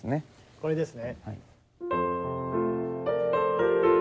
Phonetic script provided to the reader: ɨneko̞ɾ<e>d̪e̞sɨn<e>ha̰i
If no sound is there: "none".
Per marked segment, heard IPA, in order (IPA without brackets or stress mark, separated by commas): e, e